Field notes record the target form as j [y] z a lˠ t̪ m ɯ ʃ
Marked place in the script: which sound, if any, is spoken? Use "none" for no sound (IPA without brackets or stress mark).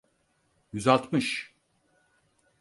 y